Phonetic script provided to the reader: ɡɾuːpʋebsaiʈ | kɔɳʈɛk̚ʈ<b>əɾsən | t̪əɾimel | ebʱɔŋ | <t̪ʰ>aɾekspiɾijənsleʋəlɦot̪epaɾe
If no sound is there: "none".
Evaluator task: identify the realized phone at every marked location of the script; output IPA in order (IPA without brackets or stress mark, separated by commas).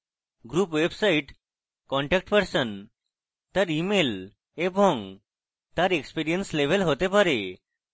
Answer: p, t̪